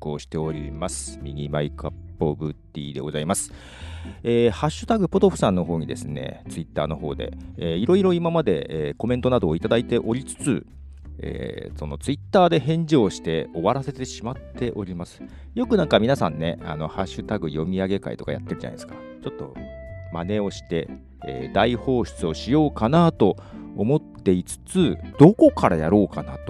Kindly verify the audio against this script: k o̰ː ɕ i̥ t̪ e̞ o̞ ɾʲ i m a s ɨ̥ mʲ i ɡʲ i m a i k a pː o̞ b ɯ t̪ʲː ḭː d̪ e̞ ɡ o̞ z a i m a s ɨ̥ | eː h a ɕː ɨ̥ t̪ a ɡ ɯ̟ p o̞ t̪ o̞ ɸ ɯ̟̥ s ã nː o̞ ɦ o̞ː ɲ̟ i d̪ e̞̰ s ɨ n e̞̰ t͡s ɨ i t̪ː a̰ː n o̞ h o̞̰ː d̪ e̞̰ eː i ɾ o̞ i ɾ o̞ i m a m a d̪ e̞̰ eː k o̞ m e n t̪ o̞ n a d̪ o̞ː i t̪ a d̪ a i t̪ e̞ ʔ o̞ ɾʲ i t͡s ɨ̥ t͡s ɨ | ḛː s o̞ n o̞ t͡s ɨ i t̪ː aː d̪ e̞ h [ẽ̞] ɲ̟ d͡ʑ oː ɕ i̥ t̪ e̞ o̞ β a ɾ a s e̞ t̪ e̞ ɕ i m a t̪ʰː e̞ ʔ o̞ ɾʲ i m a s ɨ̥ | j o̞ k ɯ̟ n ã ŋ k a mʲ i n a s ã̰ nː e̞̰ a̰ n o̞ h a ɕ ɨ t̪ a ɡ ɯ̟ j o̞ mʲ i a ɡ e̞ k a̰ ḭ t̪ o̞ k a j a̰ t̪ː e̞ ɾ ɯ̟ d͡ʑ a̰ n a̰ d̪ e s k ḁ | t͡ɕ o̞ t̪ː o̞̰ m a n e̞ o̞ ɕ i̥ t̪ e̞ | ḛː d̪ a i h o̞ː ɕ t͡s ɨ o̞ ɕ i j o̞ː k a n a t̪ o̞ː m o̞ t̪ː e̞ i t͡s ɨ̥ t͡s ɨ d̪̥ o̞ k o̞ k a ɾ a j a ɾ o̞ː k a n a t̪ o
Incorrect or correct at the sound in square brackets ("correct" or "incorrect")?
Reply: correct